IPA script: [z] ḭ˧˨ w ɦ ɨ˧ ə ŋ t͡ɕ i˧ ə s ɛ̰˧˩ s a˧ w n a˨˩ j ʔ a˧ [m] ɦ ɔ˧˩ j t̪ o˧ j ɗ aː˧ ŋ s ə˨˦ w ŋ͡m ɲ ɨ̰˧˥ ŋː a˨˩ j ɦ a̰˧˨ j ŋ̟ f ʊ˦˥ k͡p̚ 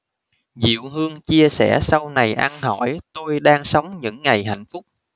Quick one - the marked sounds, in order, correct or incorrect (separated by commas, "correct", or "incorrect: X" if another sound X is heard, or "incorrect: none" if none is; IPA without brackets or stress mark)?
correct, incorrect: n